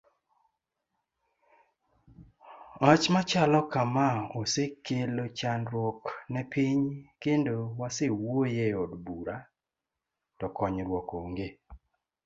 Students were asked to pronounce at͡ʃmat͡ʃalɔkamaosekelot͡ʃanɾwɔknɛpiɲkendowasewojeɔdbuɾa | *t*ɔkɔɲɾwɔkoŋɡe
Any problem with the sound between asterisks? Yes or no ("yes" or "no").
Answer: no